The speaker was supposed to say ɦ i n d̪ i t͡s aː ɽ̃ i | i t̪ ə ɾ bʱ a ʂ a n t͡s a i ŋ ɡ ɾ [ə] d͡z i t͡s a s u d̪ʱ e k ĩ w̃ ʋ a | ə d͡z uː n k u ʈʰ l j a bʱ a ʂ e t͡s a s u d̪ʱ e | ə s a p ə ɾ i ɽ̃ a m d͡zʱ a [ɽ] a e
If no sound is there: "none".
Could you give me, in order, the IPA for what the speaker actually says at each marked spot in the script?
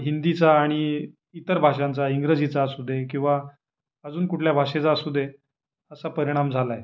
ə, l

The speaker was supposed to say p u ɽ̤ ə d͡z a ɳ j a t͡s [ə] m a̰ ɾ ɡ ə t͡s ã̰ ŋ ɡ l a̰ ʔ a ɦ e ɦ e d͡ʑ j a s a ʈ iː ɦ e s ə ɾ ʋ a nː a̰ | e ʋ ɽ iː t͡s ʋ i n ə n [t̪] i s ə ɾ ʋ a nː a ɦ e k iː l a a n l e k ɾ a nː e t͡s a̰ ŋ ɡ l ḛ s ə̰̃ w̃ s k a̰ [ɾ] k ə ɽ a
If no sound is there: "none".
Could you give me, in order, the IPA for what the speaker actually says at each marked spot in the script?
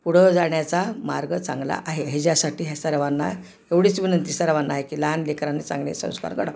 a, t̪, ɾ

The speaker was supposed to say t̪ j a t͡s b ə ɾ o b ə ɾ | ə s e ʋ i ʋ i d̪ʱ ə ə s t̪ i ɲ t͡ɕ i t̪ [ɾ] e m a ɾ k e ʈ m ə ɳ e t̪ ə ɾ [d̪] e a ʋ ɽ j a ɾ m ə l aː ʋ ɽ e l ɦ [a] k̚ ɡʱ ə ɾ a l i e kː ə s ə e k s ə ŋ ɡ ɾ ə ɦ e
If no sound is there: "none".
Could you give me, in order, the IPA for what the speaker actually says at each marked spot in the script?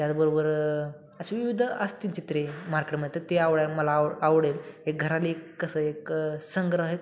ɾ, t̪, e

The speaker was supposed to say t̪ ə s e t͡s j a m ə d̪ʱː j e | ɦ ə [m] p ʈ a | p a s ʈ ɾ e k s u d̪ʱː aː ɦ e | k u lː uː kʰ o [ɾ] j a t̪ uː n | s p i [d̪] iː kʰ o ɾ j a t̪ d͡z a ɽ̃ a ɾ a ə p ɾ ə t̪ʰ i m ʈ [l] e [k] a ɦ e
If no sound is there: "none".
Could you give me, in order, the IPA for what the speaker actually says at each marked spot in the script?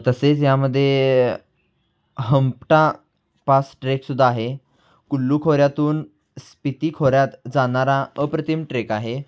m, ɾ, t̪, ɾ, k

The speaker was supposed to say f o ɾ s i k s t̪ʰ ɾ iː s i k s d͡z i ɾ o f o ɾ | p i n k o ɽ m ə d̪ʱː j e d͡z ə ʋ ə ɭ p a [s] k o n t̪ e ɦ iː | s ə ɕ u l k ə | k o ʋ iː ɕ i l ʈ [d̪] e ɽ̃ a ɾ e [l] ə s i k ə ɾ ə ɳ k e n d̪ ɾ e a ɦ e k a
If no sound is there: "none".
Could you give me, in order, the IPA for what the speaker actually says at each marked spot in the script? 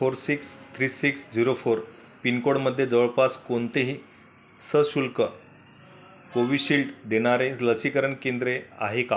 s, d̪, l

